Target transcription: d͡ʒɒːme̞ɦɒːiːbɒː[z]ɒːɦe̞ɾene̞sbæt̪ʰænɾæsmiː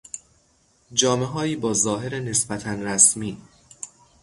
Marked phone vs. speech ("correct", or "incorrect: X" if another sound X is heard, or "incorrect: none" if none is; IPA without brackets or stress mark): correct